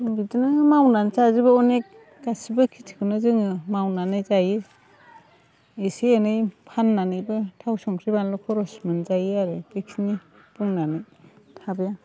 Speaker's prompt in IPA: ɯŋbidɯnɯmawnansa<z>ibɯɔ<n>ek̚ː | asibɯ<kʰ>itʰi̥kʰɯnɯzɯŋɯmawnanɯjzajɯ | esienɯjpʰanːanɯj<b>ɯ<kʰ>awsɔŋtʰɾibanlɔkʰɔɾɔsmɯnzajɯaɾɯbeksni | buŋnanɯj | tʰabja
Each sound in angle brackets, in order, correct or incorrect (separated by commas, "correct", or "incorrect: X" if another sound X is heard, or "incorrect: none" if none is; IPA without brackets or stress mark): correct, correct, correct, correct, incorrect: tʰ